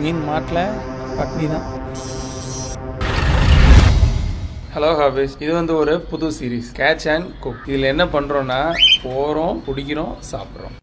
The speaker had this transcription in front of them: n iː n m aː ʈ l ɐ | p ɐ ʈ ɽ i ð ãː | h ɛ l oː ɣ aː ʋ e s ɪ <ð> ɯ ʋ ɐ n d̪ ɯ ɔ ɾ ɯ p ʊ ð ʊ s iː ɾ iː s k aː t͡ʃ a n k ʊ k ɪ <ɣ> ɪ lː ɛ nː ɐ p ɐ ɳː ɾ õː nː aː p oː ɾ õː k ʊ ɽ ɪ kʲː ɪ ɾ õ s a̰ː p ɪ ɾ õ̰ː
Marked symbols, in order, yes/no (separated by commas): yes, no